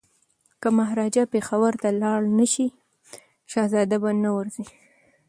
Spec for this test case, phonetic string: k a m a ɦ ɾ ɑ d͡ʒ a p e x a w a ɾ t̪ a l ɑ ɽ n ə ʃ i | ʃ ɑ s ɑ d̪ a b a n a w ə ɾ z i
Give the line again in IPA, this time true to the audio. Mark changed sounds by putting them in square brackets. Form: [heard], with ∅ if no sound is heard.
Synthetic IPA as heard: k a m a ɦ ɾ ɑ d͡ʒ a p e x a w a ɾ t̪ a l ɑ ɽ n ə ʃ i | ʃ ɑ [z] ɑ d̪ a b a n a w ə ɾ z i